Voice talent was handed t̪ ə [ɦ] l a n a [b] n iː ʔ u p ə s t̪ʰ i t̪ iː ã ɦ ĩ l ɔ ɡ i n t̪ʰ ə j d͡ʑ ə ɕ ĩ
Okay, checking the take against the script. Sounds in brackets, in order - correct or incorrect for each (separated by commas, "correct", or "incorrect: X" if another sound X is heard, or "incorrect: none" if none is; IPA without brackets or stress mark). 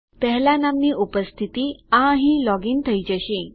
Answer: correct, incorrect: m